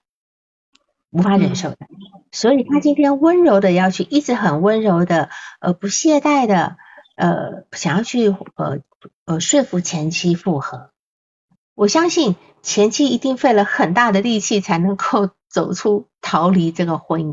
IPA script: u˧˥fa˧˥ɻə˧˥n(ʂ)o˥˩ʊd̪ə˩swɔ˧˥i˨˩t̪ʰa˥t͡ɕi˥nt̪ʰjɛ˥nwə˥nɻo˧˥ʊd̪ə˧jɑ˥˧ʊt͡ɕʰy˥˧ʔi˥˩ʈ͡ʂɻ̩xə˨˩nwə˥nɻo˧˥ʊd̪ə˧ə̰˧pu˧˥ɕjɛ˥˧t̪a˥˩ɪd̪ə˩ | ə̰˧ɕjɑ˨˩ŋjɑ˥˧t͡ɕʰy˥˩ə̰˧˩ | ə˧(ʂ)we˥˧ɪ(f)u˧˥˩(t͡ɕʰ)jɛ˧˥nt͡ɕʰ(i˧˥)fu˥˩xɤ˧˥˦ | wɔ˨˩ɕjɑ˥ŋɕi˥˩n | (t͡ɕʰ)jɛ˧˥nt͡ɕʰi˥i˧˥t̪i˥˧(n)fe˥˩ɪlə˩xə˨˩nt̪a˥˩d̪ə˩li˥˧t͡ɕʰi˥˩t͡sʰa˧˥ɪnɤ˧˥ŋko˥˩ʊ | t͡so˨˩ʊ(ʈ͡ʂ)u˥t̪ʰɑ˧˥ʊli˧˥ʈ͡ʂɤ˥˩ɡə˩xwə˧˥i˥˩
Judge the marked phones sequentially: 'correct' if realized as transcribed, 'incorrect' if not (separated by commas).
correct, correct, correct, correct, incorrect, correct, incorrect, incorrect